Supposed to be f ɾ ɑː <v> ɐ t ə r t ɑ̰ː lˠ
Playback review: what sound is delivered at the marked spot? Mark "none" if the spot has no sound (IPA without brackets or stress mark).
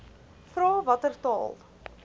v